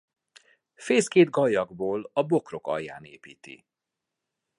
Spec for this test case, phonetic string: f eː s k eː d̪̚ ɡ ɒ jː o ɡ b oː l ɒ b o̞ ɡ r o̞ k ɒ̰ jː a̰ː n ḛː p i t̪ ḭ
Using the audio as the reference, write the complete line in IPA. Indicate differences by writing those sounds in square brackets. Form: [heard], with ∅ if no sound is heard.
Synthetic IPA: f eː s k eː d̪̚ ɡ ɒ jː [ɒ] ɡ b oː l ɒ b o̞ [k] r o̞ k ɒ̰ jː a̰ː n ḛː p [iː] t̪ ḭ